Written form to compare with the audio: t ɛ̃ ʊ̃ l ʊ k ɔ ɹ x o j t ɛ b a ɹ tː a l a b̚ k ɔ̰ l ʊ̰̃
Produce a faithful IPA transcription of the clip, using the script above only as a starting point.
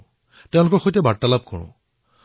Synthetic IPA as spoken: t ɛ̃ ʊ̃ l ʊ k ɔ ɹ x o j t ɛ b a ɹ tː a l a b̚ k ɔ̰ ɹ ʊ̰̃